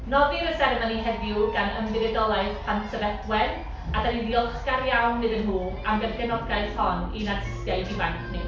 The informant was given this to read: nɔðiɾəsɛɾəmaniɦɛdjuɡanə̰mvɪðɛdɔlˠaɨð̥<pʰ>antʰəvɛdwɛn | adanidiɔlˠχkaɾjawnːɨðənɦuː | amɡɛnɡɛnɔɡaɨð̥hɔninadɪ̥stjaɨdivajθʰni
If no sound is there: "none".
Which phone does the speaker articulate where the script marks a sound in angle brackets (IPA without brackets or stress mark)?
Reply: pʰ